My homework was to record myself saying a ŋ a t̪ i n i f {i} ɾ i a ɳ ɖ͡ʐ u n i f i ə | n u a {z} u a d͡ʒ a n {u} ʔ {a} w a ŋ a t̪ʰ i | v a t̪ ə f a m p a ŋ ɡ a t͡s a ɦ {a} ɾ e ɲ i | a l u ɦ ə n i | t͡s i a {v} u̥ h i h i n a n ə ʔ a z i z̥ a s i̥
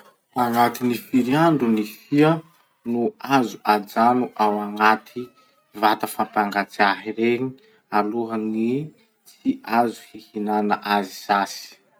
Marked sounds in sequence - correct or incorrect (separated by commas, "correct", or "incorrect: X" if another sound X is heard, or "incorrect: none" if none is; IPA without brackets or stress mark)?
correct, correct, correct, correct, incorrect: i, incorrect: z